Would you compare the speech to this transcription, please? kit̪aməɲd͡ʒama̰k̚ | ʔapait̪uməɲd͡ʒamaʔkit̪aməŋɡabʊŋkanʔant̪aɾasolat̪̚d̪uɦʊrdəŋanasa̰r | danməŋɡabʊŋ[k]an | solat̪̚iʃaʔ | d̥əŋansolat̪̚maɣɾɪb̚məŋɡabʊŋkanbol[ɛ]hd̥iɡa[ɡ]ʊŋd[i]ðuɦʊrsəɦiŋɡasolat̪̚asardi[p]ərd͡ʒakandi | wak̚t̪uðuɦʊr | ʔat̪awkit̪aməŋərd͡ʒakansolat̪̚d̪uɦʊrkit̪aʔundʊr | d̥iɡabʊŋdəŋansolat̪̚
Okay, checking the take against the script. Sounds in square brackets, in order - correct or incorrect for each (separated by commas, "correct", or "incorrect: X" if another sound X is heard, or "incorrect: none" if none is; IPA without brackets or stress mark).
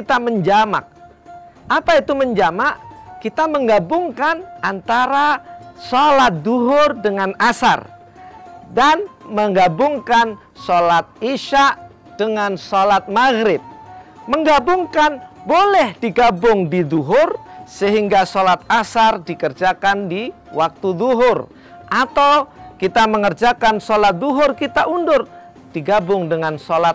correct, correct, incorrect: b, correct, incorrect: k